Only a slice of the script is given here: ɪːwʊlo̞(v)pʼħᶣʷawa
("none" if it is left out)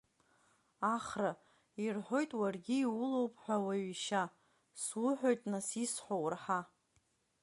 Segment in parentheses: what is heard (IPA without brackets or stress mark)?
w